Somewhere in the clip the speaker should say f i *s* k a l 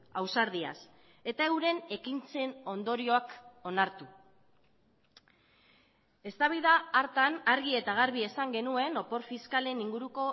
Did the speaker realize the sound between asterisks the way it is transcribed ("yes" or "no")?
yes